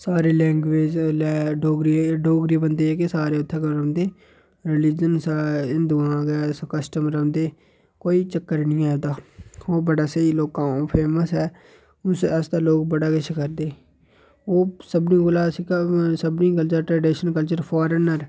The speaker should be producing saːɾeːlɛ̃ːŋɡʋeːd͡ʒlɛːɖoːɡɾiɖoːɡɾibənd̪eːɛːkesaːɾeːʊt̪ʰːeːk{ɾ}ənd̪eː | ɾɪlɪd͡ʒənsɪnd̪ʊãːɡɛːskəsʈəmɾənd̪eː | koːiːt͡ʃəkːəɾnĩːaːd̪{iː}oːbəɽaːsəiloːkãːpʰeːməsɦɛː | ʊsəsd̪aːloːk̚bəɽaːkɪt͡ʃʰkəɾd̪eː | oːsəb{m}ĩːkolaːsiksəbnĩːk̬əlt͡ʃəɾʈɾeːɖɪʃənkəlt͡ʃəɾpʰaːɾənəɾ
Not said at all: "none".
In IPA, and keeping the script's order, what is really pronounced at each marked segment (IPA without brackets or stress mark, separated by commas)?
ɾ, aː, n